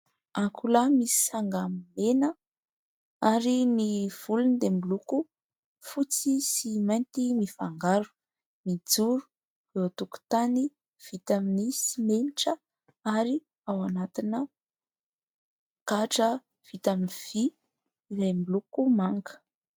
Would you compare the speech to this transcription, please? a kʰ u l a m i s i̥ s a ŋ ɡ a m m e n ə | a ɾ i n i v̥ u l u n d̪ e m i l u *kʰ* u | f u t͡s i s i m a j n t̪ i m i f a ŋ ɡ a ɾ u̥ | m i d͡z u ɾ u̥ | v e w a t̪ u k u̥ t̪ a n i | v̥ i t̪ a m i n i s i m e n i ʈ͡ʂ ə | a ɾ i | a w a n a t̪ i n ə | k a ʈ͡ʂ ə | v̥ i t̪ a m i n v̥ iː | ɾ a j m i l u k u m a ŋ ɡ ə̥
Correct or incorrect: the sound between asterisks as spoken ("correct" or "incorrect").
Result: incorrect